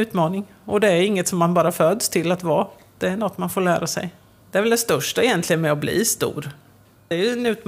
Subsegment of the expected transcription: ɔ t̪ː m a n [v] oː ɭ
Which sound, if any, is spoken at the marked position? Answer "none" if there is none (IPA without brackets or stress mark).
f